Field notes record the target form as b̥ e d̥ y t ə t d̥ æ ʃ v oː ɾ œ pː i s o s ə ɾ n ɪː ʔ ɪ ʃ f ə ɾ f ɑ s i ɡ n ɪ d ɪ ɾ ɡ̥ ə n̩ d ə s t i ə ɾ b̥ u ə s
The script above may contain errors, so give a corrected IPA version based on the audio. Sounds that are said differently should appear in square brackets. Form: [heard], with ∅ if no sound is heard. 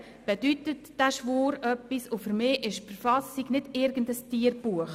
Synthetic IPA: b̥ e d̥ y t ə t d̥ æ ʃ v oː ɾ œ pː i s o [f] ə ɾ [m] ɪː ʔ ɪ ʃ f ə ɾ f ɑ s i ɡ n ɪ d ɪ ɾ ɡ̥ ə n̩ d ə s t i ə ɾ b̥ u ə [χ]